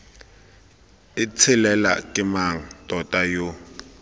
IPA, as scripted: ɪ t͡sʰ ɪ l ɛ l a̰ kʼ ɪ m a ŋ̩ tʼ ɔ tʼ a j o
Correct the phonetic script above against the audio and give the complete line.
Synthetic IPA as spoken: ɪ t͡sʰ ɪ l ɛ l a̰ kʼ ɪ m a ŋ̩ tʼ ɔ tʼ a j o